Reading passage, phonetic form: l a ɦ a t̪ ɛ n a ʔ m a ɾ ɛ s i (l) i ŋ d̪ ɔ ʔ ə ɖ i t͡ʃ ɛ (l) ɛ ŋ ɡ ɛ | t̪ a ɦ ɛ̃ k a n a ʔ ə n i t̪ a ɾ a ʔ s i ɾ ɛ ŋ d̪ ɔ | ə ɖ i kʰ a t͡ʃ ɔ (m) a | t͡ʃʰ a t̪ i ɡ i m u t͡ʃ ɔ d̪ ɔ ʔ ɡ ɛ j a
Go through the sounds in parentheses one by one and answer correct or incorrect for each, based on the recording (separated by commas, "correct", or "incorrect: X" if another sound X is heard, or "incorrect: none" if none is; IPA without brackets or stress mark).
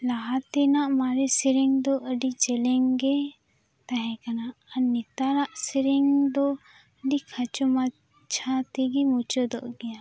incorrect: ɾ, correct, correct